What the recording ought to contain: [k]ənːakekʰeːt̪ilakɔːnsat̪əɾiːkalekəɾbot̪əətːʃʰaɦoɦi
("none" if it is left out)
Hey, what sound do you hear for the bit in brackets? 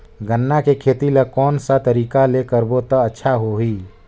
ɡ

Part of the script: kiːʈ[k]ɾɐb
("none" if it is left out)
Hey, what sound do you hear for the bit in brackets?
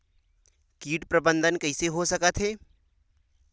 p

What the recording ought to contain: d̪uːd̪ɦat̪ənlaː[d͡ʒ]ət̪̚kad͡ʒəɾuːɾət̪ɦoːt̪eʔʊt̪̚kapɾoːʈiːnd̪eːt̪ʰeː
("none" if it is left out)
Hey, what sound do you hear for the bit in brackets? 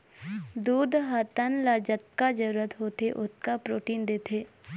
d͡ʒ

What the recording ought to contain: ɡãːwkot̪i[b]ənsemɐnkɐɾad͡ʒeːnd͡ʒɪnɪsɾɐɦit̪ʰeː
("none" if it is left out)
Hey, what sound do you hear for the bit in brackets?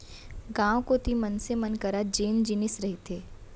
m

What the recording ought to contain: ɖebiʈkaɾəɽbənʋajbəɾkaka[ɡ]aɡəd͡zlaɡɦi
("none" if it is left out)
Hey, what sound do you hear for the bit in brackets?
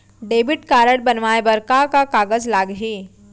k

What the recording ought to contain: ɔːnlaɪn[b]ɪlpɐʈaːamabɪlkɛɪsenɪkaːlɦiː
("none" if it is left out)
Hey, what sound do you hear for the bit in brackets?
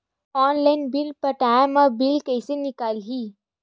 b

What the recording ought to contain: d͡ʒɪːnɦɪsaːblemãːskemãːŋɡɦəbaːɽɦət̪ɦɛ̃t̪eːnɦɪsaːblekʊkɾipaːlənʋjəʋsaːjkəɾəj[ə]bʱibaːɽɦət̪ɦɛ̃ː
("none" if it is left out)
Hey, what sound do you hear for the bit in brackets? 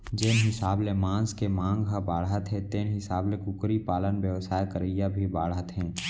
a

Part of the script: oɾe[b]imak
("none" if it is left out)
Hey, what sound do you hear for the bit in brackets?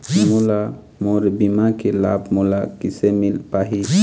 b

